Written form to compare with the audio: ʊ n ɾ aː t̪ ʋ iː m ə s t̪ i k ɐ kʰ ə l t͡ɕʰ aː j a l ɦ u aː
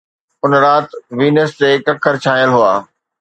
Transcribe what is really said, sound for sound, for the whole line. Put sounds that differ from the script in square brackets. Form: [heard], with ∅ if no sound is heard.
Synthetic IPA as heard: ʊ n ɾ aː t̪ ʋ iː [n] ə s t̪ [e] k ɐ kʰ ə [ɾ] t͡ɕʰ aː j [ə] l ɦ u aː